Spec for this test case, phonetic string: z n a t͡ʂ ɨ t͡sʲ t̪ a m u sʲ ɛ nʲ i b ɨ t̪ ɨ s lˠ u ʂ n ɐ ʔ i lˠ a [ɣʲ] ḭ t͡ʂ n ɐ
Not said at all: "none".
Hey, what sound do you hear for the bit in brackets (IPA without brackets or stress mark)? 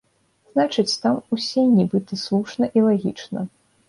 ɣʲ